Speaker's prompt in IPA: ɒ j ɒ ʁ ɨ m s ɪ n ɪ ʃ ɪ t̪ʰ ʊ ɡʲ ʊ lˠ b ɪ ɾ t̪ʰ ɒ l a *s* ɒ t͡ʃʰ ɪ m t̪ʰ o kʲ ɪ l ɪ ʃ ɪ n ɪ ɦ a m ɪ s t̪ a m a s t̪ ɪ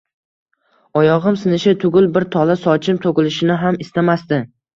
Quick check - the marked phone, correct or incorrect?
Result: correct